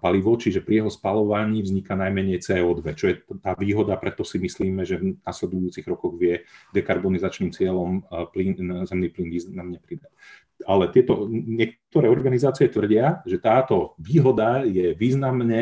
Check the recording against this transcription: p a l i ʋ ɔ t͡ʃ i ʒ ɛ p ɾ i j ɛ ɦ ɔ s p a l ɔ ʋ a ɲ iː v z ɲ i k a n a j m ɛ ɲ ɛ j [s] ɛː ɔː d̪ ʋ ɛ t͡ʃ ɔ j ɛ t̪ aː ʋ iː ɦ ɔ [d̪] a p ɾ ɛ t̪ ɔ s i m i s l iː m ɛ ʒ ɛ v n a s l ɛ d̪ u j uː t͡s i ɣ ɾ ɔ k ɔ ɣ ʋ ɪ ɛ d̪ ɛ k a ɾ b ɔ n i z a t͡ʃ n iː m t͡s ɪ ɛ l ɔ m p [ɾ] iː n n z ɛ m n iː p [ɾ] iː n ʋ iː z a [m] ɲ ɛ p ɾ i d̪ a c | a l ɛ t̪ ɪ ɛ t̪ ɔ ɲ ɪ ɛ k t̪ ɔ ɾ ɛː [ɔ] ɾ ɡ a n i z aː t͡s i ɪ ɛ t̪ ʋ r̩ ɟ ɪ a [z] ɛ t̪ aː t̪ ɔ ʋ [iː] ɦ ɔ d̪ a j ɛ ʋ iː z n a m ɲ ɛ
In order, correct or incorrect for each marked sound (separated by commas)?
incorrect, correct, incorrect, incorrect, correct, correct, incorrect, correct